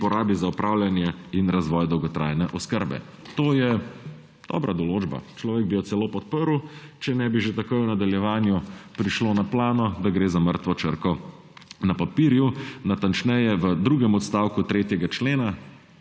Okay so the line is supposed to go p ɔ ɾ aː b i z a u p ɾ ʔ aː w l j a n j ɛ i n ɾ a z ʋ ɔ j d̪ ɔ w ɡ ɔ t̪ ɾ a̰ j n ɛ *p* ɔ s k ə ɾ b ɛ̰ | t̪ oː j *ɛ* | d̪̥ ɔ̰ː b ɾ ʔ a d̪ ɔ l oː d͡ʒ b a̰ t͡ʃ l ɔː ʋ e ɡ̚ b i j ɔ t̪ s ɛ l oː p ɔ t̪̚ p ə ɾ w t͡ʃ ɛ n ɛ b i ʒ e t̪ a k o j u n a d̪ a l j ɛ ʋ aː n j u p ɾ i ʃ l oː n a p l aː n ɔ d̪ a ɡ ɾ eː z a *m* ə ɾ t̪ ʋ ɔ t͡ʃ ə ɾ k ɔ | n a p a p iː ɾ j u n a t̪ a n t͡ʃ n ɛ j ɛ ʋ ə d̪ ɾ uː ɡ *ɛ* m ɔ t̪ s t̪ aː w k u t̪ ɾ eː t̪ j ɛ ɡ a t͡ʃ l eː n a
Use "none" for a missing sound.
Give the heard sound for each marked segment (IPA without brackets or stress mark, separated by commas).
ʔ, ɛ, m, ɛ